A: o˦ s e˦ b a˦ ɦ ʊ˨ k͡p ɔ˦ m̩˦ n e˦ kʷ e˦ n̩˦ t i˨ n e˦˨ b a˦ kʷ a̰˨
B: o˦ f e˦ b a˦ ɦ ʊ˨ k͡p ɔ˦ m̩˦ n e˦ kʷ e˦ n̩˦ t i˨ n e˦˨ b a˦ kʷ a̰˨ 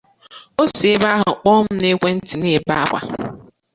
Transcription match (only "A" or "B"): A